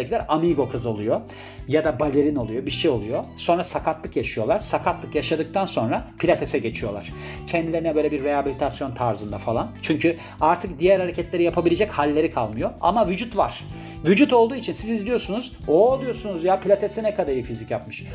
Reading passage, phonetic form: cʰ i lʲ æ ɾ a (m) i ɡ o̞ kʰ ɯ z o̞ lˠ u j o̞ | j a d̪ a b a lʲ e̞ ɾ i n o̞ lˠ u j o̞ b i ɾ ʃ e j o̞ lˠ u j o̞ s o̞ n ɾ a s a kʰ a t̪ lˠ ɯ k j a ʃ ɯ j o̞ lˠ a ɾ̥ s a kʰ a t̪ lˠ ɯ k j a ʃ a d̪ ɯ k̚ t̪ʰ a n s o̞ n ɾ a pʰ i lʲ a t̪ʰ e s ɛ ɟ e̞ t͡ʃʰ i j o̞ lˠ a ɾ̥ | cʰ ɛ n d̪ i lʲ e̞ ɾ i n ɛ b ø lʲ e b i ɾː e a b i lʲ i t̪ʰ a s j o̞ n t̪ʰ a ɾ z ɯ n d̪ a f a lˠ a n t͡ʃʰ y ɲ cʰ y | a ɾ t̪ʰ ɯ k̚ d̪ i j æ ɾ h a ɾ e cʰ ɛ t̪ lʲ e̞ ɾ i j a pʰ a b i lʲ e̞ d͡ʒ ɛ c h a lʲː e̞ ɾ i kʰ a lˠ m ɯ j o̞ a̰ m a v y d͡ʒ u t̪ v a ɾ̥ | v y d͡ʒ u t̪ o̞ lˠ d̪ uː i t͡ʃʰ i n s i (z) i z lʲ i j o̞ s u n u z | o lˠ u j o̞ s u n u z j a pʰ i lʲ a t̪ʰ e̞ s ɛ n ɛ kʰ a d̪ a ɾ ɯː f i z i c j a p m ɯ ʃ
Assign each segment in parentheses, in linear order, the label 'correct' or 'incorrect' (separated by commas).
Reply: correct, correct